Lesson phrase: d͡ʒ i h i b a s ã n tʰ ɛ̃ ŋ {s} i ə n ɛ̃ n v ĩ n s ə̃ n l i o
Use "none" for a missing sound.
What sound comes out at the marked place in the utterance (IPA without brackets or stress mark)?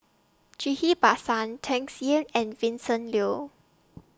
s